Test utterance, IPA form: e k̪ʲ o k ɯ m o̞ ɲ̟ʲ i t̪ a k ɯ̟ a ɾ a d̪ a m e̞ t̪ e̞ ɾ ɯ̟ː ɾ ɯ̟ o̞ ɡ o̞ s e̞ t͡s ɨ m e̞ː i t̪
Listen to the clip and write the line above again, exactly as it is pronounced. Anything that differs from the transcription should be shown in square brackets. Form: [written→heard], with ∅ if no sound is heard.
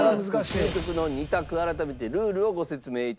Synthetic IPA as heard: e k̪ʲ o k ɯ [m→n] o̞ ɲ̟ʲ i t̪ a k ɯ̟ a ɾ a [d̪→t̪] a m e̞ t̪ e̞ ɾ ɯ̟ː ɾ ɯ̟ o̞ ɡ o̞ s e̞ t͡s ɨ m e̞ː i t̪

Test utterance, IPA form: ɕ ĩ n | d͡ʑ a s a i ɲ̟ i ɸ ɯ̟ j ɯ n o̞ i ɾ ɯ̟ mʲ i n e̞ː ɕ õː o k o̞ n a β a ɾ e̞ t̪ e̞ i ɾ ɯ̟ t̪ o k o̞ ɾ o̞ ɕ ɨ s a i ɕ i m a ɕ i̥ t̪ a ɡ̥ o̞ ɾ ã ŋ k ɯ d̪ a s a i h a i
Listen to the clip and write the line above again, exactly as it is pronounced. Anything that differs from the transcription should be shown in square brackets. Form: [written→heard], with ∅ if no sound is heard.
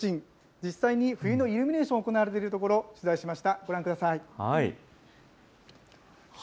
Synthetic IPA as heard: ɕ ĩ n | d͡ʑ [a→i] s a i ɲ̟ i ɸ ɯ̟ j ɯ n o̞ i ɾ ɯ̟ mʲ i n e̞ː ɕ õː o k o̞ n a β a ɾ e̞ t̪ e̞ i ɾ ɯ̟ t̪ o k o̞ ɾ o̞ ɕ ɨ [s→z] a i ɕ i m a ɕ i̥ t̪ a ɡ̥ o̞ ɾ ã ŋ k ɯ d̪ a s a i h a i

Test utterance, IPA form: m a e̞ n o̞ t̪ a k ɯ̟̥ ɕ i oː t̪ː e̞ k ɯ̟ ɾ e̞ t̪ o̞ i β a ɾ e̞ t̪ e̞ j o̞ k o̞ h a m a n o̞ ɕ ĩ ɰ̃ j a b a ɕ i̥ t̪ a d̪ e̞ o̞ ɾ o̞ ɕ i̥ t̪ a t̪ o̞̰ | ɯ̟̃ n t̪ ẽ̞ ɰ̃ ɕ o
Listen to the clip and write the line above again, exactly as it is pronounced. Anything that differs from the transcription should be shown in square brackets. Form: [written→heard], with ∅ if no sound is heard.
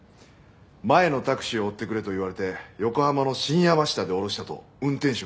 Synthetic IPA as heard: m a e̞ n o̞ t̪ a k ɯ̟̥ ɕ i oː t̪ː e̞ k ɯ̟ ɾ e̞ t̪ o̞ i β a ɾ e̞ t̪ e̞ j o̞ k o̞ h a m a n o̞ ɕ ĩ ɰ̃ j a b a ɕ i̥ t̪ a d̪ e̞ o̞ ɾ o̞ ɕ i̥ t̪ a t̪ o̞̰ | ɯ̟̃ n t̪ ẽ̞ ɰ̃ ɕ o

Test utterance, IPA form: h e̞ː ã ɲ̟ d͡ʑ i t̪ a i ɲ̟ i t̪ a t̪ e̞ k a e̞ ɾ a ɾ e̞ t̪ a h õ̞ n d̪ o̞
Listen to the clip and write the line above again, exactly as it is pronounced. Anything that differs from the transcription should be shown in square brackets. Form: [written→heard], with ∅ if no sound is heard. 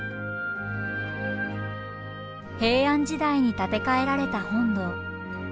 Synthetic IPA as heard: h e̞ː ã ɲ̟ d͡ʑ i [t̪→d̪] a i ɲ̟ i t̪ a t̪ e̞ k a e̞ ɾ a ɾ e̞ t̪ a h õ̞ n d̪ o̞

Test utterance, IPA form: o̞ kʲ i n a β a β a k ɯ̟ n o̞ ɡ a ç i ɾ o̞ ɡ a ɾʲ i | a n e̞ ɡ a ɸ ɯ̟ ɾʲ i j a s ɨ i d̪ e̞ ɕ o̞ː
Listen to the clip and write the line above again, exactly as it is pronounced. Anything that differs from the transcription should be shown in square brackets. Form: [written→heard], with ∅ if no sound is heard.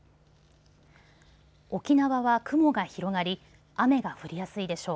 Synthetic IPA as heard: o̞ kʲ i n a β a β a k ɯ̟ [n→m] o̞ ɡ a ç i ɾ o̞ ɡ a ɾʲ i | a [n→m] e̞ ɡ a ɸ ɯ̟ ɾʲ i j a s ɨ i d̪ e̞ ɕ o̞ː

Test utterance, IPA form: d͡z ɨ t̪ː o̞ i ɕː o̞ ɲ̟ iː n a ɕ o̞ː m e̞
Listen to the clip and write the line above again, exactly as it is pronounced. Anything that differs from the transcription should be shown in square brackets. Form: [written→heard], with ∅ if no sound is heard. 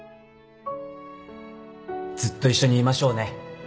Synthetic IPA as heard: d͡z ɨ t̪ː o̞ i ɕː o̞ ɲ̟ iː [n→m] a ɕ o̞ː [m→n] e̞

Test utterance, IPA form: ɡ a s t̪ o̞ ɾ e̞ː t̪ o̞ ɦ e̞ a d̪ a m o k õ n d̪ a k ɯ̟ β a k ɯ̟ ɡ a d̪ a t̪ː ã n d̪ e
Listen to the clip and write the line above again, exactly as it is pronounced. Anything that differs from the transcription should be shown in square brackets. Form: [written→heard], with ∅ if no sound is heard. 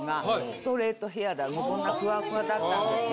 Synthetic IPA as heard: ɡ a s t̪ o̞ ɾ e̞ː t̪ o̞ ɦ e̞ a d̪ a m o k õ n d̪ a k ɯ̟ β a k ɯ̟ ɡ a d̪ a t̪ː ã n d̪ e

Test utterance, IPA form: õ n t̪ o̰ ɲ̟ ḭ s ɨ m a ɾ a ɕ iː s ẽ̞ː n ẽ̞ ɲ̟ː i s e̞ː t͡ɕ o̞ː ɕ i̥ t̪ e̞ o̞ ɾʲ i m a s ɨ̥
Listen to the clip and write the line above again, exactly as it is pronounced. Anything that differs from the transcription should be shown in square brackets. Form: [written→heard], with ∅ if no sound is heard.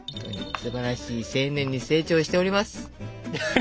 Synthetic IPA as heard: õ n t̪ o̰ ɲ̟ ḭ s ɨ [m→b] a ɾ a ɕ iː s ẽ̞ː n ẽ̞ ɲ̟ː i s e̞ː t͡ɕ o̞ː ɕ i̥ t̪ e̞ o̞ ɾʲ i m a s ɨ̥

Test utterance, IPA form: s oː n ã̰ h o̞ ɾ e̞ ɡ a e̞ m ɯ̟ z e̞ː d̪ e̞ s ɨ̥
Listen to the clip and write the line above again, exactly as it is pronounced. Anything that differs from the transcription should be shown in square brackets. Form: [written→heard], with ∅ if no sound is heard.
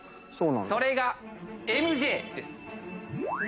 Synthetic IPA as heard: s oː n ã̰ [h→s] o̞ ɾ e̞ ɡ a e̞ m ɯ̟ [z→ʑ] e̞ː d̪ e̞ s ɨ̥

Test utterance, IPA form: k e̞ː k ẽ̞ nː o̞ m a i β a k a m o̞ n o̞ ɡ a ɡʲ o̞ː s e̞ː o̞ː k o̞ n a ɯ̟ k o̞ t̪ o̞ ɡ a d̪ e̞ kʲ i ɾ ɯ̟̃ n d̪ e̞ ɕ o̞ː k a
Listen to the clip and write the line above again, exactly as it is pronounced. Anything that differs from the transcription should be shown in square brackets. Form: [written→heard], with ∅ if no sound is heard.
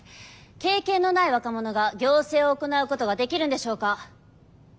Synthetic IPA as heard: k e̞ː k ẽ̞ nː o̞ [m→n] a i β a k a m o̞ n o̞ ɡ a ɡʲ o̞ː s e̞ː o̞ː k o̞ n a ɯ̟ k o̞ t̪ o̞ ɡ a d̪ e̞ kʲ i ɾ [ɯ̟̃→ɯ̟] n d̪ e̞ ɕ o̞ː k a

